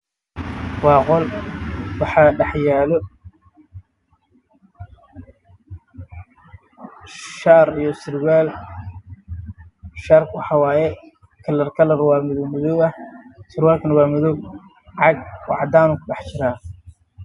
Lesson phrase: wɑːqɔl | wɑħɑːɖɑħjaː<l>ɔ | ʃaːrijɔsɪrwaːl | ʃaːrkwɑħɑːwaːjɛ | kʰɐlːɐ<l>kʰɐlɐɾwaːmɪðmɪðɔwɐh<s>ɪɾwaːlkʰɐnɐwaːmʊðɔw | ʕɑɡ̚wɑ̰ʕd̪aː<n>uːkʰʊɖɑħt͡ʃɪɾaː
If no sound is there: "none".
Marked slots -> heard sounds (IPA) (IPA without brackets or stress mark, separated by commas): l, r, s, n